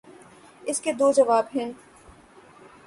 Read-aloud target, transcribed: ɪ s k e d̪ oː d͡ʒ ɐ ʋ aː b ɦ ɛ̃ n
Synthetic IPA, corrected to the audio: ɪ s k e d̪ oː d͡ʒ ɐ ʋ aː b ɦ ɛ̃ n